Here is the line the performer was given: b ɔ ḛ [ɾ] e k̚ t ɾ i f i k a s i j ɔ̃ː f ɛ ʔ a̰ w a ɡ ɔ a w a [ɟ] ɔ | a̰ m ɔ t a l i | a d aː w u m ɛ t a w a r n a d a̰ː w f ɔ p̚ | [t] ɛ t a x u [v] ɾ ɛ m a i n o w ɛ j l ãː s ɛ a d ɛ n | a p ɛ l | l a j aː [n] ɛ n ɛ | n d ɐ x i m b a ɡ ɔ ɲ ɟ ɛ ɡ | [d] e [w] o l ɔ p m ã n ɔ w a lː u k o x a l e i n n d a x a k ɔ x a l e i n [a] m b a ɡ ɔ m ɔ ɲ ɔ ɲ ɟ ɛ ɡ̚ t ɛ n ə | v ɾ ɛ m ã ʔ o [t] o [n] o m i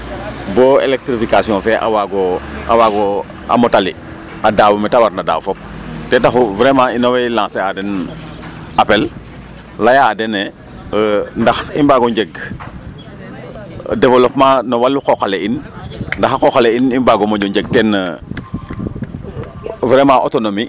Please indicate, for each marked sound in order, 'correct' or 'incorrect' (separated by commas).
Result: incorrect, incorrect, correct, correct, incorrect, correct, incorrect, incorrect, correct, correct